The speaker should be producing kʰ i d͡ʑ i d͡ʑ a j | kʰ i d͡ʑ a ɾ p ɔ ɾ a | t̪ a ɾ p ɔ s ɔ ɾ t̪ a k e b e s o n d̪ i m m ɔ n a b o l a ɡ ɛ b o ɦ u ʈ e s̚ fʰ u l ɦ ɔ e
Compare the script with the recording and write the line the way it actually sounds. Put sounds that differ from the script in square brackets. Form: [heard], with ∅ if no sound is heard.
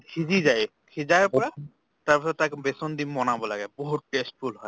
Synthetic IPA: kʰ i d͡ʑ i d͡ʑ a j | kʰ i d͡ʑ a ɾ p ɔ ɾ a | t̪ a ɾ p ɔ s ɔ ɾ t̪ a k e b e s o n d̪ i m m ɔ n a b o l a ɡ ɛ b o ɦ u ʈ e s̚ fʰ u l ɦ ɔ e